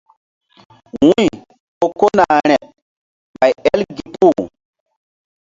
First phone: w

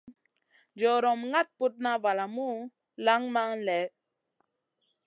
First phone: d͡ʒ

